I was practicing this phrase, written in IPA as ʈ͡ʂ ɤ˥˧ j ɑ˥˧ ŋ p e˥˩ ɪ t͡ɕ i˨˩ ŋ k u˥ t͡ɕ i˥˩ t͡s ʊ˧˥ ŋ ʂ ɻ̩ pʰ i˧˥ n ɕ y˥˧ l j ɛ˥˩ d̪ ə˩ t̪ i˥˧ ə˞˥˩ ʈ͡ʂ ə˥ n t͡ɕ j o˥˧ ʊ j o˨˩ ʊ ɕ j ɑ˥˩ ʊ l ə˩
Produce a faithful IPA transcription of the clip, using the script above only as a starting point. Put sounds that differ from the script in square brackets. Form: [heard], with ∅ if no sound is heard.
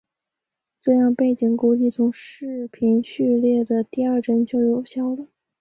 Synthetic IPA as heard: ʈ͡ʂ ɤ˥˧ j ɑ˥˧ ŋ p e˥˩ ɪ t͡ɕ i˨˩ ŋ k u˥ t͡ɕ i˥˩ [t͡sʰ] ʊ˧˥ ŋ ʂ ɻ̩ pʰ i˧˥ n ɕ y˥˧ l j ɛ˥˩ d̪ ə˩ t̪ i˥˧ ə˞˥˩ ʈ͡ʂ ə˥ n t͡ɕ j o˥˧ ʊ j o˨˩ ʊ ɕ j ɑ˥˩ ʊ l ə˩